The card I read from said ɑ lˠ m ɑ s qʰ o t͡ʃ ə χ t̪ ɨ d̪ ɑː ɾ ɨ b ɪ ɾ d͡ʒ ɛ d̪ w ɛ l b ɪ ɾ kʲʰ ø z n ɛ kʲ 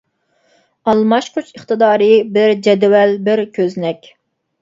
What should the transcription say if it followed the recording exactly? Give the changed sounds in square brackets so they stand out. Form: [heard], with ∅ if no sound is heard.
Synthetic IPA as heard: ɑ lˠ m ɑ [ʃ] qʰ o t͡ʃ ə χ t̪ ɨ d̪ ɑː ɾ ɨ b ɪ ɾ d͡ʒ ɛ d̪ w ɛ l b ɪ ɾ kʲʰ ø z n ɛ kʲ